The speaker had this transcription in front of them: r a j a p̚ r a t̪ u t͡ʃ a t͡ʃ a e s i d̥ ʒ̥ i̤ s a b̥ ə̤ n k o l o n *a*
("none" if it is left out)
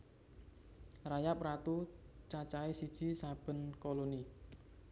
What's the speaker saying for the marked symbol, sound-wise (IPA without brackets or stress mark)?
i